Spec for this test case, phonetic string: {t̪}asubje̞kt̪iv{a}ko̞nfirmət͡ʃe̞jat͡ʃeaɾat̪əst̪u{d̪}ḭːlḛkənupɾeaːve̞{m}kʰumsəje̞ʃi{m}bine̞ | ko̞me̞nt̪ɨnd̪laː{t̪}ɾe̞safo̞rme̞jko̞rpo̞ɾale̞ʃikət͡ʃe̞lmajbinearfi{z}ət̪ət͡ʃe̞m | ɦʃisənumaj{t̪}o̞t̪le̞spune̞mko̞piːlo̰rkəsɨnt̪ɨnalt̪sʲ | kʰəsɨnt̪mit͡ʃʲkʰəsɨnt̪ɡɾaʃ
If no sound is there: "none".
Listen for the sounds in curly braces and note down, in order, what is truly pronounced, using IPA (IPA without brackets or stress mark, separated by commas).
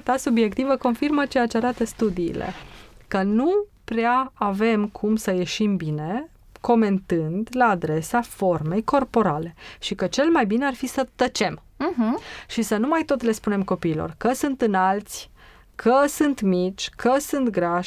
t̪, ə, d̪, m, m, d̪, s, t̪